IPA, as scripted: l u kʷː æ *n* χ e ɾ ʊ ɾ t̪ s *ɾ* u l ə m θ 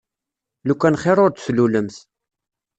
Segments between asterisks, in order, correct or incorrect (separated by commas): correct, incorrect